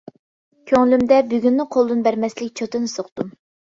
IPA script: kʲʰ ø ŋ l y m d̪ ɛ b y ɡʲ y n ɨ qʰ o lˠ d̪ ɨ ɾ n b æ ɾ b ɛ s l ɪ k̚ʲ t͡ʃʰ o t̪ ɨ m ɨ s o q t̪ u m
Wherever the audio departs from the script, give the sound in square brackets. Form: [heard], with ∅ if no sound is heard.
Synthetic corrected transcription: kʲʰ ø ŋ l y m d̪ ɛ b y ɡʲ y [nː] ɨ qʰ o lˠ d̪ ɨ [∅] n b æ ɾ [m] ɛ s l ɪ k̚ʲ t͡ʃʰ o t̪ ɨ [n] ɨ s o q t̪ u m